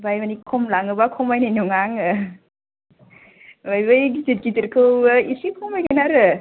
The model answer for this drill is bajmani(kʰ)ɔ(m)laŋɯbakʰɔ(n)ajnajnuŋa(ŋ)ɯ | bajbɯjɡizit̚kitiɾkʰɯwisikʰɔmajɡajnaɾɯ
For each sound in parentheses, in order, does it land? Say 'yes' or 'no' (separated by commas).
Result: yes, yes, no, yes